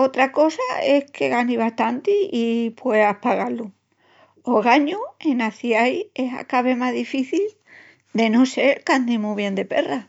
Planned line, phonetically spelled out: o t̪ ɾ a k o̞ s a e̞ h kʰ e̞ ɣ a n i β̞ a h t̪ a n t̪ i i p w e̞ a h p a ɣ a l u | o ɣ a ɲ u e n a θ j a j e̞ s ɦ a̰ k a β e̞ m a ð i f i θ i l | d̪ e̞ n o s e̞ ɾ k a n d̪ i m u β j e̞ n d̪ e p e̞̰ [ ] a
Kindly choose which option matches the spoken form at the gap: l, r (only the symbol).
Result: r